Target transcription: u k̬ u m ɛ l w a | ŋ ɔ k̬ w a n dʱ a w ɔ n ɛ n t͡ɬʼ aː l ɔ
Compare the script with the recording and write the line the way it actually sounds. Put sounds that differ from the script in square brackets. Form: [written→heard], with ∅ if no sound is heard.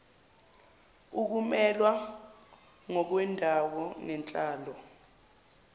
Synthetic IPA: u k̬ u m ɛ l w a | ŋ ɔ k̬ w [a→ɛ] n dʱ a w ɔ n ɛ n t͡ɬʼ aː l ɔ